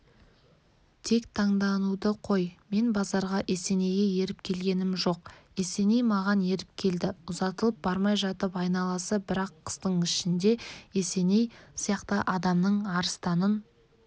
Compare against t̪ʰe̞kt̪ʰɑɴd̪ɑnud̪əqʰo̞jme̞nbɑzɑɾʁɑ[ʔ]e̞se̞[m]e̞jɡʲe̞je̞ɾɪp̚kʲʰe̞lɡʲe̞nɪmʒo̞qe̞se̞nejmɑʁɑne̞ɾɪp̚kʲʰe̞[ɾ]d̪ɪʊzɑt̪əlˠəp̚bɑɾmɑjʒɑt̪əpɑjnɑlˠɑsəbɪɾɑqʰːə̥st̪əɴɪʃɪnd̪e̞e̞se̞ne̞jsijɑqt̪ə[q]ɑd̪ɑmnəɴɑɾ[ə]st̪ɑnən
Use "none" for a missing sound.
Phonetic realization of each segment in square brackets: ʔ, n, l, ʔ, ə

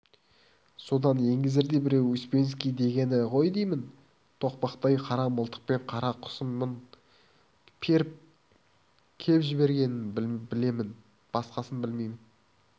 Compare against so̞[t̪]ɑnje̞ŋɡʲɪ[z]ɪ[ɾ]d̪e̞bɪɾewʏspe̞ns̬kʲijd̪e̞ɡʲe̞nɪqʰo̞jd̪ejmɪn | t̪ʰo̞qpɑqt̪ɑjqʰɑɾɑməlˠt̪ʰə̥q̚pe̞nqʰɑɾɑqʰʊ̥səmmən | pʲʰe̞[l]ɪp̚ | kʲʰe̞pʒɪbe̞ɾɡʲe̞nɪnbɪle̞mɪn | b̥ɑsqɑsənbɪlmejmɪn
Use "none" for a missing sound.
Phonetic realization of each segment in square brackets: d̪, z, ɾ, ɾ

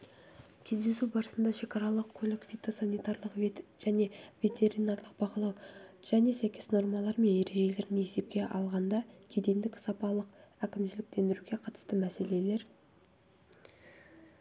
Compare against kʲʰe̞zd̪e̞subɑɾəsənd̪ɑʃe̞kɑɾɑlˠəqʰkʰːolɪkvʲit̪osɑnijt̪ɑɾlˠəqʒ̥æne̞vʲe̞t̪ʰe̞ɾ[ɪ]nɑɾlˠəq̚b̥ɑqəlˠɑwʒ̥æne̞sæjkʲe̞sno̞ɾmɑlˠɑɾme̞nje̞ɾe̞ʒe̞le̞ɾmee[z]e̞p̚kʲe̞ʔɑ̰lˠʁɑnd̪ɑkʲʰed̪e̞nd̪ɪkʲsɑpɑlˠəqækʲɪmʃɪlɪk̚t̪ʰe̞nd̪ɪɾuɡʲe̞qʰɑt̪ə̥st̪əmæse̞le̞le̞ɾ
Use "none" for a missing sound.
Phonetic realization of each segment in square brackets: i, s

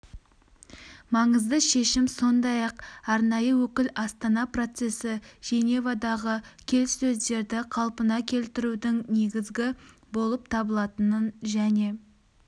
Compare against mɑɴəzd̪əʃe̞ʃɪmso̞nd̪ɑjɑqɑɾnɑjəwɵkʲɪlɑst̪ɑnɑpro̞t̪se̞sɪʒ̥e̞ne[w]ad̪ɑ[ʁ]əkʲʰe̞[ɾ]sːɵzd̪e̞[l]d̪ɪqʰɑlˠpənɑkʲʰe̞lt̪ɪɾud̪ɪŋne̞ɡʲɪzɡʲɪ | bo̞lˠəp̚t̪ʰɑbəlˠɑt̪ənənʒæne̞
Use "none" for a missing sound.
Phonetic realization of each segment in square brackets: v, ʁ, l, ɾ

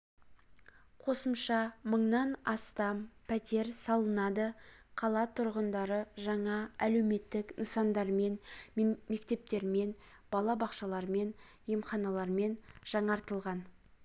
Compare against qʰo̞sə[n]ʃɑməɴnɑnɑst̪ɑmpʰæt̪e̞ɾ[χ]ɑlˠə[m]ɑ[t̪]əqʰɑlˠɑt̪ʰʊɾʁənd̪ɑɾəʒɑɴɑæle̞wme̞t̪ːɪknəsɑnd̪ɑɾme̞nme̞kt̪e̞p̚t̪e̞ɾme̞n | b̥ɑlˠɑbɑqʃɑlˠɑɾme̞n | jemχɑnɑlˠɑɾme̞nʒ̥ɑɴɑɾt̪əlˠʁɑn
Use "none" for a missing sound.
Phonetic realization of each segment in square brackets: m, s, n, d̪

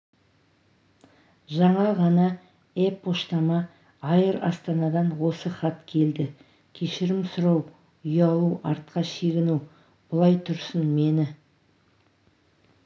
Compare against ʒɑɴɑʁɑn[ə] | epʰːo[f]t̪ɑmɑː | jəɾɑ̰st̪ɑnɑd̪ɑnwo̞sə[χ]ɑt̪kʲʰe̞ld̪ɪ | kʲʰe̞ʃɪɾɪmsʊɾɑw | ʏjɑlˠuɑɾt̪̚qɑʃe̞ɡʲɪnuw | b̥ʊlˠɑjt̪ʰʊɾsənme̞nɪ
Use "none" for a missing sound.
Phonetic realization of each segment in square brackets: ɑ, ʃ, χ

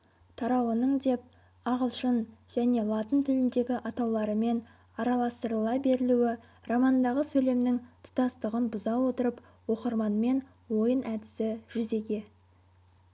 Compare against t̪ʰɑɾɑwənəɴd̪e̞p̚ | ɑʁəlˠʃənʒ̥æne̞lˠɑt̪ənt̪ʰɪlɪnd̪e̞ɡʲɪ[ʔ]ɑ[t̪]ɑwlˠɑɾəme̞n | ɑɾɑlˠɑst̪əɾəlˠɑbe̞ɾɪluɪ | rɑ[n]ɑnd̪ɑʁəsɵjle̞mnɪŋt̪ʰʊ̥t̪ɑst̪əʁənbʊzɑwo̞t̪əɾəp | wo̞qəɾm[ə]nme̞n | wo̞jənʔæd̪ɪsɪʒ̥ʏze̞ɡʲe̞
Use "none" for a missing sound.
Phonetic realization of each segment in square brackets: ʔ, t̪, m, ɑ

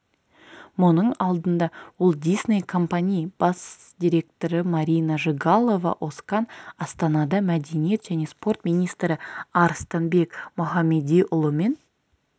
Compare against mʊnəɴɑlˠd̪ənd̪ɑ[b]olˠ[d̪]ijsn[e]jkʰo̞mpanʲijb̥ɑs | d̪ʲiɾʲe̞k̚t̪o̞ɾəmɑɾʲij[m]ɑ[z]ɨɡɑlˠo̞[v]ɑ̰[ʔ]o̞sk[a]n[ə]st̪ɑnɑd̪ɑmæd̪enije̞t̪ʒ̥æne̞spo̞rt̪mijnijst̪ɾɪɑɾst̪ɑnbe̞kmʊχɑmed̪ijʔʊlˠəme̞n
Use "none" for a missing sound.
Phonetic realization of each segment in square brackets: w, d̪, e, n, ʒ, v, ʔ, ɑ, ɑ

